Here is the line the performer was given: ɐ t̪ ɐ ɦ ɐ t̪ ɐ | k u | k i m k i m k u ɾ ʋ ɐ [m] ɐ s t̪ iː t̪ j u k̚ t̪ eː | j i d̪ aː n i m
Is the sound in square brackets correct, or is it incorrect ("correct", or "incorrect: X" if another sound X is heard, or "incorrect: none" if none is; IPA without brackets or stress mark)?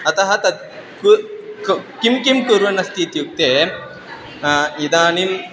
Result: incorrect: n